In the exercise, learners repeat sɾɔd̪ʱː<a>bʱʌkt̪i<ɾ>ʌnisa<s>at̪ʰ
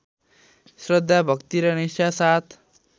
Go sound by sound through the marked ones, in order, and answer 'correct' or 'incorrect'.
correct, correct, correct

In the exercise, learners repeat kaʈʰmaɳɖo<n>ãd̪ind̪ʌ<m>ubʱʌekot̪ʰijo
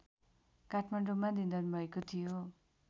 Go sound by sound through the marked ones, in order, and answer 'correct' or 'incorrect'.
incorrect, incorrect

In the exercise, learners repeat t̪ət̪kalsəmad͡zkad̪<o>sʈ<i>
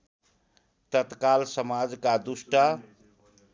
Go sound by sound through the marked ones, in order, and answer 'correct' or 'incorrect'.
incorrect, incorrect

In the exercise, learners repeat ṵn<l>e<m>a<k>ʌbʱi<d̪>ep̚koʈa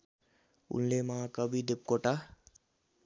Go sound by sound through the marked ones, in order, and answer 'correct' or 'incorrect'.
correct, correct, correct, correct

